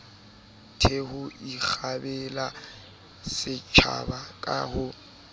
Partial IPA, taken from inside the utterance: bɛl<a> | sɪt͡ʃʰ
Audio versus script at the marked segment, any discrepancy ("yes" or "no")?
no